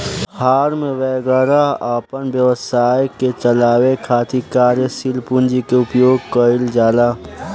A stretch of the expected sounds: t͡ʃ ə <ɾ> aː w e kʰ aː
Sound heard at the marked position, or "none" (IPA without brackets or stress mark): l